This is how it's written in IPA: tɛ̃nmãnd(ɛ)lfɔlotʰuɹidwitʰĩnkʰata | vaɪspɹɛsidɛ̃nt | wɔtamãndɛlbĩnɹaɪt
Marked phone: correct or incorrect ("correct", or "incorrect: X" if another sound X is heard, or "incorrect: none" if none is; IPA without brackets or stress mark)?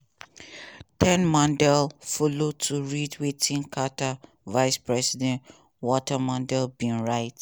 correct